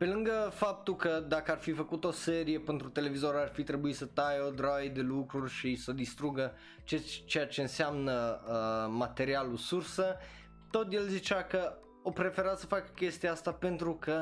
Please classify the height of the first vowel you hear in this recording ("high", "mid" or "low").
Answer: mid